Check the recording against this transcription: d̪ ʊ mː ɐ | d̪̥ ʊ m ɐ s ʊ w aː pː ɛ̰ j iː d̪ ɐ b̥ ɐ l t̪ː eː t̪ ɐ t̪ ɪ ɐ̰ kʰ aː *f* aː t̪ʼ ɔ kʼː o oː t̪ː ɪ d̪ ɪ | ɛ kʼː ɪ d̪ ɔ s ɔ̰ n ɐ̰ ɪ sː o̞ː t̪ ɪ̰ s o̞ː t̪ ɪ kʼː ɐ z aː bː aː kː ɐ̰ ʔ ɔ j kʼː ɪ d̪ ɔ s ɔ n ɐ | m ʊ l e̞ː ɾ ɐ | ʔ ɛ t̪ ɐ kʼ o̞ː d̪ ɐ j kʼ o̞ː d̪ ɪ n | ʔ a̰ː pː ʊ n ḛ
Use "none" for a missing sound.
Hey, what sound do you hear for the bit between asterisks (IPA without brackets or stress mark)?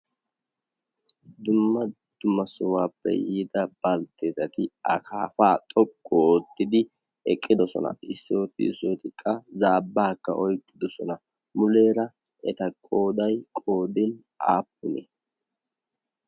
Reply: f